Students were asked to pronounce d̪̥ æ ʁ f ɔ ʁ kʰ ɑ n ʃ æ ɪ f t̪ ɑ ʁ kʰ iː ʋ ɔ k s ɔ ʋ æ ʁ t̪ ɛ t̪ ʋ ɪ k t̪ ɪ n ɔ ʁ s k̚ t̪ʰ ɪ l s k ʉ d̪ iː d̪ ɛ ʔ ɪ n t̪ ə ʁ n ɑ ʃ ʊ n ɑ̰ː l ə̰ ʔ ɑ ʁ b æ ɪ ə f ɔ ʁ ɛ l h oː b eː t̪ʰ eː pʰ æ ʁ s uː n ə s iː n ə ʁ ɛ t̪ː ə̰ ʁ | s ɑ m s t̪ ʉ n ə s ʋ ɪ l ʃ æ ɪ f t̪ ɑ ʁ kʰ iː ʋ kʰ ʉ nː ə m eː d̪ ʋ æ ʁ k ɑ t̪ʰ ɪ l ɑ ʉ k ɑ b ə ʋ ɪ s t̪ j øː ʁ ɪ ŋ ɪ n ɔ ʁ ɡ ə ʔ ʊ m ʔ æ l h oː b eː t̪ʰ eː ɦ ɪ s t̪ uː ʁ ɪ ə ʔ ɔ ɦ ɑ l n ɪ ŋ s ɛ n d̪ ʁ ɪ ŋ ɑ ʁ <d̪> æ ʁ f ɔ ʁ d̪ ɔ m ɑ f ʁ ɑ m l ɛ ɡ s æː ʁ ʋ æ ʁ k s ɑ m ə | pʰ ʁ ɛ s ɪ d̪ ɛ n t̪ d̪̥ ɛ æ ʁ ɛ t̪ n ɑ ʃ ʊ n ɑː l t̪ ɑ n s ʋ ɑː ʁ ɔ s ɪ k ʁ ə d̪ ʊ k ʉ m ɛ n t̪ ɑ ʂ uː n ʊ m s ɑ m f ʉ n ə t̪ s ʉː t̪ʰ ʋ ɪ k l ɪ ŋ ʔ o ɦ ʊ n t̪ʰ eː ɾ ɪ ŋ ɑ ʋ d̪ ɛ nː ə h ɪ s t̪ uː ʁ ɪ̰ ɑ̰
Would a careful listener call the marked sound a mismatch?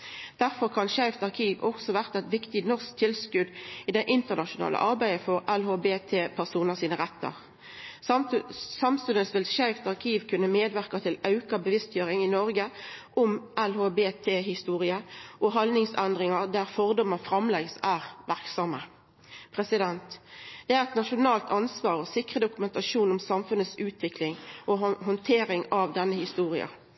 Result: no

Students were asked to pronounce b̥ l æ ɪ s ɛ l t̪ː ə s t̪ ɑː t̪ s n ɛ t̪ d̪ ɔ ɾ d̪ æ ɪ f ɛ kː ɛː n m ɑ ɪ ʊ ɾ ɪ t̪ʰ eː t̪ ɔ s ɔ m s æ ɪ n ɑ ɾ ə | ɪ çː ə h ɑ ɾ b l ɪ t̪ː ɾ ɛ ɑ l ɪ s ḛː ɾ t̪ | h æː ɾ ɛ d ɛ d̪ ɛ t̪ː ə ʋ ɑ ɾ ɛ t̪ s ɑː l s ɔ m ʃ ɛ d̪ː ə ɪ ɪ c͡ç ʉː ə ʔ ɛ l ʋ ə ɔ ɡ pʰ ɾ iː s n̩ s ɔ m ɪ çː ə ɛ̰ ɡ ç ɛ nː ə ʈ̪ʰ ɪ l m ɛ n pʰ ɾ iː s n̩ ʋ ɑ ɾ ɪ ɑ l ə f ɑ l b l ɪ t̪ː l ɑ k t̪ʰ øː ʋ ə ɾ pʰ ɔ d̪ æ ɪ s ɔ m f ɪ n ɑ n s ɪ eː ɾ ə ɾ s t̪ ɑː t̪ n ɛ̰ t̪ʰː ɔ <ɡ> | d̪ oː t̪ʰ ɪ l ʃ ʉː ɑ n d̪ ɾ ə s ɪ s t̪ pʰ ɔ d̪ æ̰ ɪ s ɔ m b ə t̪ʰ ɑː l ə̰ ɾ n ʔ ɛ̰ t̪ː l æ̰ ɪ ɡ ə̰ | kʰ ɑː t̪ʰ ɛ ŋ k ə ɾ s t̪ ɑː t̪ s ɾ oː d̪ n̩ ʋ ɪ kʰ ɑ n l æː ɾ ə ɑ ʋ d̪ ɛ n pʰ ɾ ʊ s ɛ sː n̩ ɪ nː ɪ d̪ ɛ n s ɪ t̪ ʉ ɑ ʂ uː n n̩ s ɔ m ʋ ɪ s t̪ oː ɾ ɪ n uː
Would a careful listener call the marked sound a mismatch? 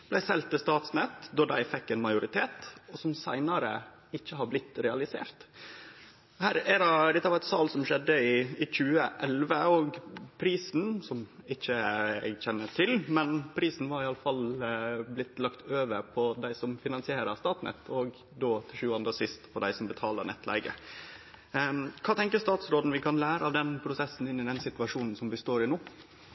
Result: no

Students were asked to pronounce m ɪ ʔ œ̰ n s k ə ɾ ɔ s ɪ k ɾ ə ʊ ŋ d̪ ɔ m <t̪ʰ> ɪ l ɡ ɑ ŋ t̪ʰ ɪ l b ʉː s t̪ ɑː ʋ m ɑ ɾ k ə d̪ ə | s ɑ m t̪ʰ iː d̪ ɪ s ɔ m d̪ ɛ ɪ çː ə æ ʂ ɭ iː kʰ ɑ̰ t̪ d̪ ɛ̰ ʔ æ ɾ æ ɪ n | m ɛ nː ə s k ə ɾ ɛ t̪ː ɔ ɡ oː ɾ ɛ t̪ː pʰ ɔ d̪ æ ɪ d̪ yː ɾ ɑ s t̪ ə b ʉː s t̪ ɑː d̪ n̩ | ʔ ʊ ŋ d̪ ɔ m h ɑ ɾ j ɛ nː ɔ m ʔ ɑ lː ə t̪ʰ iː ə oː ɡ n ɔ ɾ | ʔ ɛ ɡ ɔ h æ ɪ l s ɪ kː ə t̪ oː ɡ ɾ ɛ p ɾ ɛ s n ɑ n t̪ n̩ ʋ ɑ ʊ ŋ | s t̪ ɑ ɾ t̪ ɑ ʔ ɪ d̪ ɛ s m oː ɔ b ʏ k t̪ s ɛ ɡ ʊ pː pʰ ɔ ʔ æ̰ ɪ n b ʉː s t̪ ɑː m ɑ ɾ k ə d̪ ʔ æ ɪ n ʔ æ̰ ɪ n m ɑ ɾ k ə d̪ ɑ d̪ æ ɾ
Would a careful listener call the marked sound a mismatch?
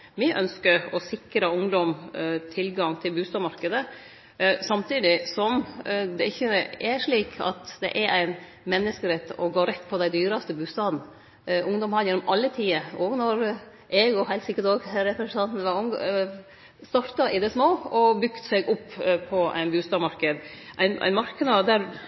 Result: no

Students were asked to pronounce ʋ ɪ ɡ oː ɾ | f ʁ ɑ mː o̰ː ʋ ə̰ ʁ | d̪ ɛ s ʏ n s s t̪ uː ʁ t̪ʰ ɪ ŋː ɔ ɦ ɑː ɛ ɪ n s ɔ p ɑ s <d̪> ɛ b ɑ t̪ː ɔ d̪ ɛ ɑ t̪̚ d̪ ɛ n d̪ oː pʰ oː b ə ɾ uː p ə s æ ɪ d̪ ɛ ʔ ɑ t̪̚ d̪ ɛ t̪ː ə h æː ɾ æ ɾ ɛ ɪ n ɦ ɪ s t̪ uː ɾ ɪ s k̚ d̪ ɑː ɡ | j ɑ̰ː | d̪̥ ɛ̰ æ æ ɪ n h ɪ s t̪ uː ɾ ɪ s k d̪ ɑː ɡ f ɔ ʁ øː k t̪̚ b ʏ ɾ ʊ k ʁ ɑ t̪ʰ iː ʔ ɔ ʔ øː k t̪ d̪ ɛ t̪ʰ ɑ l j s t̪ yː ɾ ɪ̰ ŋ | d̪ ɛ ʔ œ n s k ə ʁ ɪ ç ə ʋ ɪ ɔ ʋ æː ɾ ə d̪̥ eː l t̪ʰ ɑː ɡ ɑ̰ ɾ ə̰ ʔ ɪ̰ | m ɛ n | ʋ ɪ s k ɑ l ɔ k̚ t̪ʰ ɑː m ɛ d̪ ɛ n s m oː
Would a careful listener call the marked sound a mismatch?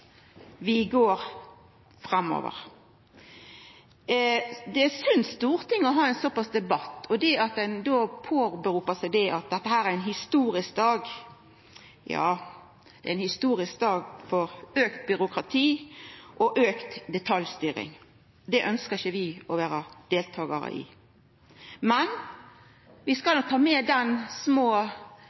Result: no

